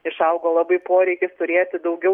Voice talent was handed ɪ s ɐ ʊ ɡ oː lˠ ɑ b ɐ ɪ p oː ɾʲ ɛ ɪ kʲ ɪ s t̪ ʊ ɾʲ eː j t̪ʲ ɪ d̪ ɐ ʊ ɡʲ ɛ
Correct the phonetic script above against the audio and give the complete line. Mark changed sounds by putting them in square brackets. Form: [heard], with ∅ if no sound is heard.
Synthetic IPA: ɪ [ʃ] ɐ ʊ ɡ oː lˠ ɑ b ɐ ɪ p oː ɾʲ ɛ ɪ kʲ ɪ s t̪ ʊ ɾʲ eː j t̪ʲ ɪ d̪ ɐ ʊ ɡʲ ɛ